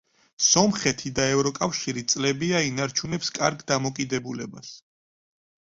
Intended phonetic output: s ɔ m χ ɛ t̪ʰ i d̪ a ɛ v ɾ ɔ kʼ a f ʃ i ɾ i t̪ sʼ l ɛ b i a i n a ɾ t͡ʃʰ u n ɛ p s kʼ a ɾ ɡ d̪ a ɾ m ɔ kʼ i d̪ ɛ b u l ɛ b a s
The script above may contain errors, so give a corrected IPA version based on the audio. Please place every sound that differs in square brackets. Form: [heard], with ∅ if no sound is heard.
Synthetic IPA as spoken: s ɔ m χ ɛ t̪ʰ i d̪ a ɛ v ɾ ɔ kʼ a f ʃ i ɾ i t̪ sʼ l ɛ b i a i n a ɾ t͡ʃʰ u n ɛ p s kʼ a ɾ ɡ d̪ a [∅] m ɔ kʼ i d̪ ɛ b u l ɛ b a s